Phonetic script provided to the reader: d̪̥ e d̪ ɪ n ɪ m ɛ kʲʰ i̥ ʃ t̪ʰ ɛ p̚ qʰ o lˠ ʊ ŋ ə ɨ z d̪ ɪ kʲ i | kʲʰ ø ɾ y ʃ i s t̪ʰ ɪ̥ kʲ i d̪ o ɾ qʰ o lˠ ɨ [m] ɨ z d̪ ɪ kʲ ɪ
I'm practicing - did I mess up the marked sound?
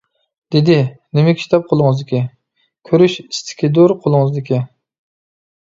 yes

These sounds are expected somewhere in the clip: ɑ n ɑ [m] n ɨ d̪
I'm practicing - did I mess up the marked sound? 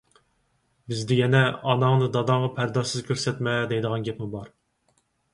yes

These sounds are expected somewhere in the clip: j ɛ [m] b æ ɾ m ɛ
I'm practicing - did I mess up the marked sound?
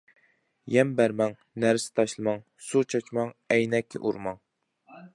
no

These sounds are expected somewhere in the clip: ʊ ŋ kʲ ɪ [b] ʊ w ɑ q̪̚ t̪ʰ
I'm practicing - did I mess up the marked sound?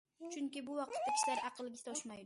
no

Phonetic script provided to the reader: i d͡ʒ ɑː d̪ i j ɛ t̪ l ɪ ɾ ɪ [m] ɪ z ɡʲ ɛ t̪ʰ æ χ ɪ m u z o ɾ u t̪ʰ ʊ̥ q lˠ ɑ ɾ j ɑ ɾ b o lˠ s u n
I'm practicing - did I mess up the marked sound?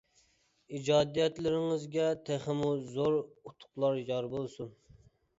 yes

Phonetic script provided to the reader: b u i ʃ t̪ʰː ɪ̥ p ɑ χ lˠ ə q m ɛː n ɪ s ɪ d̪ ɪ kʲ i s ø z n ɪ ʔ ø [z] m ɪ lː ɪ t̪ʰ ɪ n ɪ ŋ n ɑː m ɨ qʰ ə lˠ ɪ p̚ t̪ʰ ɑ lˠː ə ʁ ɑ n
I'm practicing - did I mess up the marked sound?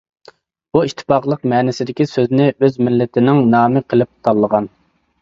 no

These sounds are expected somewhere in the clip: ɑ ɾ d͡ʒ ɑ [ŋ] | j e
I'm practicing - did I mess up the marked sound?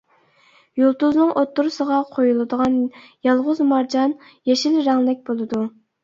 yes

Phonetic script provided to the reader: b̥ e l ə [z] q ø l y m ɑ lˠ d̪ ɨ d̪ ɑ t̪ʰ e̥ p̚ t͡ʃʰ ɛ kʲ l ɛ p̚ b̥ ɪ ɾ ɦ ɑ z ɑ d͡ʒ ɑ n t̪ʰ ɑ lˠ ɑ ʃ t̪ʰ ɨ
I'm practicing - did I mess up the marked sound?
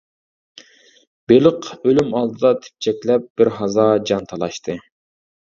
yes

